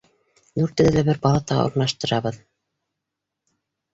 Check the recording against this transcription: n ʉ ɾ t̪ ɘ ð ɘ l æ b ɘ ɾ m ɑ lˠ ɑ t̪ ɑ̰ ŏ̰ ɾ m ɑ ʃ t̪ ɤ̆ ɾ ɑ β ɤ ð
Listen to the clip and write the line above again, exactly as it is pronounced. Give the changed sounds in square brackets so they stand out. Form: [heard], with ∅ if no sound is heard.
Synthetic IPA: n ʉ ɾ t̪ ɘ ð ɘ l æ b ɘ ɾ [b] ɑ lˠ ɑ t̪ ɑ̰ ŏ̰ ɾ [n] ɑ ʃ t̪ ɤ̆ ɾ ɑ β ɤ ð